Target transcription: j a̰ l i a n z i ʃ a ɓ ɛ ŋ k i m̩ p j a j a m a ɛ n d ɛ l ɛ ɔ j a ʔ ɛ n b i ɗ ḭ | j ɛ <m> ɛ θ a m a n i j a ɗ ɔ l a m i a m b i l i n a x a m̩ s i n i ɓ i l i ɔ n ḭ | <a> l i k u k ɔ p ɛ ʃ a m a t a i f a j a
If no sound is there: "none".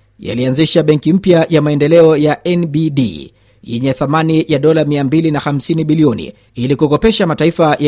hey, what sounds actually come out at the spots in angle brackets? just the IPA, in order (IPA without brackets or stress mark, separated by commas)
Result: ɲ, i